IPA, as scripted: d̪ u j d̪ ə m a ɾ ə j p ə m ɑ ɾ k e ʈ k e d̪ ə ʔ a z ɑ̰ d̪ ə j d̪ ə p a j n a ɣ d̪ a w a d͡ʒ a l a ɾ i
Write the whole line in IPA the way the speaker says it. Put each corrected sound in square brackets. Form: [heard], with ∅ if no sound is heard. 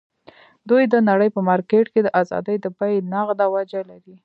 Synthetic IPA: d̪ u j d̪ ə [n] a [ɽ] ə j p ə m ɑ ɾ k e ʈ k e d̪ ə ʔ a z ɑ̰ d̪ ə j d̪ ə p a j n a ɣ d̪ a w a d͡ʒ a l a ɾ i

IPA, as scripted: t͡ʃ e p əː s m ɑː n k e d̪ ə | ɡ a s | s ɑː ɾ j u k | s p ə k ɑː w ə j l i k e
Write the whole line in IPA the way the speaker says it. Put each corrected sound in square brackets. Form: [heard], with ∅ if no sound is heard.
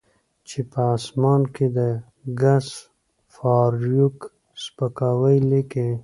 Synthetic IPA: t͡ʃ e p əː s m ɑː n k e d̪ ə | ɡ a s | [f] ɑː ɾ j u k | s p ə k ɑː w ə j l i k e

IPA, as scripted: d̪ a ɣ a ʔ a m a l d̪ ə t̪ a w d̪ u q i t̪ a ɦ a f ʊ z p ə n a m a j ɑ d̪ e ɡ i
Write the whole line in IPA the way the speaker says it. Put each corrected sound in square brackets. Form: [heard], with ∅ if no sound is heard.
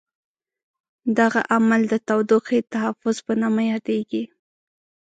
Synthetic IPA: d̪ a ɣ a ʔ a m a l d̪ ə t̪ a w d̪ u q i t̪ a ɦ a f ʊ z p ə n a m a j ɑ d̪ e ɡ i

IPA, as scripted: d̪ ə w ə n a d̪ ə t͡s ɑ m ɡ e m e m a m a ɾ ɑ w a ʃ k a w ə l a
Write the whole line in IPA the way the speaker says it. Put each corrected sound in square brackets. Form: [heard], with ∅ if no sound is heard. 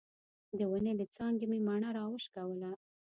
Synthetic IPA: d̪ ə w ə n [e] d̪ ə t͡s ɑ [ŋ] ɡ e m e m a [ɳ] a ɾ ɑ w [ə] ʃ k a w ə l a

